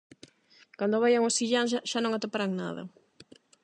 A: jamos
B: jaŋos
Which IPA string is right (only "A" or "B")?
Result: B